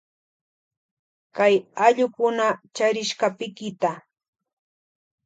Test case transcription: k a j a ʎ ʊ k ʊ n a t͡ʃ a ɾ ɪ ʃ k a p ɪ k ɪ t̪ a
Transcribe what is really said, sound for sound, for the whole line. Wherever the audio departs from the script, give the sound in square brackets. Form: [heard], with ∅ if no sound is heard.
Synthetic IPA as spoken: k a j a ʎ ʊ k ʊ n a t͡ʃ a ɾ ɪ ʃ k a p ɪ k ɪ t̪ a